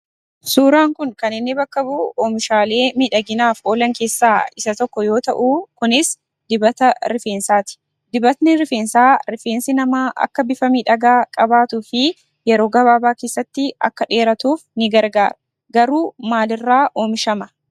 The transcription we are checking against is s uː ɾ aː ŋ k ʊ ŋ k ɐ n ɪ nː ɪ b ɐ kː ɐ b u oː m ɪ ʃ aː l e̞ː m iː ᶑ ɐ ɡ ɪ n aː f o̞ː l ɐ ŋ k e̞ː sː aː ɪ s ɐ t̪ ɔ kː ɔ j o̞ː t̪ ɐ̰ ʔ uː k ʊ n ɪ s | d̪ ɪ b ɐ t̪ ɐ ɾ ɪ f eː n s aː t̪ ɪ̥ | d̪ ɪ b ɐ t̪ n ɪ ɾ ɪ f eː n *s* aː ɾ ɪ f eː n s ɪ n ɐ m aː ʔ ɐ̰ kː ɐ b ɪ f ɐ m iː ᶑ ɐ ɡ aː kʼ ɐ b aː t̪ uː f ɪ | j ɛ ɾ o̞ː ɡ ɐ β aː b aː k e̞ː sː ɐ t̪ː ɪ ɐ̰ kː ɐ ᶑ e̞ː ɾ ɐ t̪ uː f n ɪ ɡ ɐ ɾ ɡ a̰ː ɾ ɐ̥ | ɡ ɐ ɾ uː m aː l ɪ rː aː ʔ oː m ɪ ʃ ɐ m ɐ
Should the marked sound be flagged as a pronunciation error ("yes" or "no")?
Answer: no